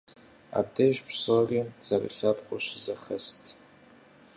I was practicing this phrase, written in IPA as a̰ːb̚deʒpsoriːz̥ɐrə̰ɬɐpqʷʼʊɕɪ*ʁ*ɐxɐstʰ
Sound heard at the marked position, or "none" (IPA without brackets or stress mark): z